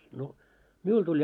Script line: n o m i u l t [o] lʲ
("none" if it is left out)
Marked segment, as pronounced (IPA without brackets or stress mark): u